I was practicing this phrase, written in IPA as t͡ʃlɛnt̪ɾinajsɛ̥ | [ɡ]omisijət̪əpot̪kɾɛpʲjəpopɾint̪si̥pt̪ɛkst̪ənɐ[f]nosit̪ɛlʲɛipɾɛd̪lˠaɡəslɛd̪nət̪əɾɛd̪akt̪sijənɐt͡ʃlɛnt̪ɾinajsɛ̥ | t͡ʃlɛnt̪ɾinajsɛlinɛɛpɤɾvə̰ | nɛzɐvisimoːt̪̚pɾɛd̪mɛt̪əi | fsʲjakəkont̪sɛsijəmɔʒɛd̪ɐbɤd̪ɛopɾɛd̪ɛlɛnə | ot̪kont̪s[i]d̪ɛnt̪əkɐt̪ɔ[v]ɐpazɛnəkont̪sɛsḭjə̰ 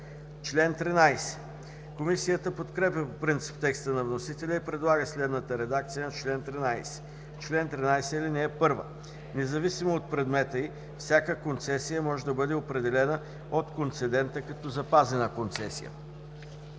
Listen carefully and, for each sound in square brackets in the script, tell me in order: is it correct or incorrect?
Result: incorrect: k, incorrect: v, incorrect: ɛ, incorrect: z

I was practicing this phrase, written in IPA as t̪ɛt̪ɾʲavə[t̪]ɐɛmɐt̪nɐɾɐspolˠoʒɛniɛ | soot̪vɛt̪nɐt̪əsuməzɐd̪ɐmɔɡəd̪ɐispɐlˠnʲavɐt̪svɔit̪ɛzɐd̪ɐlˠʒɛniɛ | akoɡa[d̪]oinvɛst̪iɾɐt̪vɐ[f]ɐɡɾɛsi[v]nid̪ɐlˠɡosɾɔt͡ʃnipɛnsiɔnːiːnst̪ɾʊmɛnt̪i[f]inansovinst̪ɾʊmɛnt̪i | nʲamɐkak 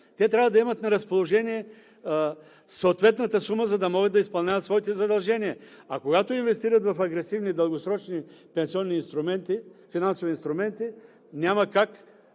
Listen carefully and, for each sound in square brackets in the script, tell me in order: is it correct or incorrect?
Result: incorrect: d̪, incorrect: t̪, correct, correct, correct

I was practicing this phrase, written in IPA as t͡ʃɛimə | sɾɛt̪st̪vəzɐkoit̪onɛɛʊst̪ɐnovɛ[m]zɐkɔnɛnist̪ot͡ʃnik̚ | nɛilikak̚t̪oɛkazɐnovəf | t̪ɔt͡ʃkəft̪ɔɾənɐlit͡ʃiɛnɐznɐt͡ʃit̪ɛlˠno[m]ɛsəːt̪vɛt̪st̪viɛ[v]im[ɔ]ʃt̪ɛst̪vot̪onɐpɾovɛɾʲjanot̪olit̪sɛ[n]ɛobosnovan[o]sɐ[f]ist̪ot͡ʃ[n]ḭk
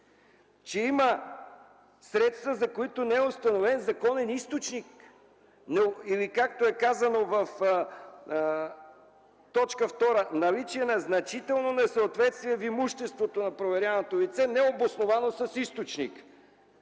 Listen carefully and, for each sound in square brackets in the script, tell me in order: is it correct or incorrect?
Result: incorrect: n, incorrect: n, correct, incorrect: u, correct, correct, incorrect: s, correct

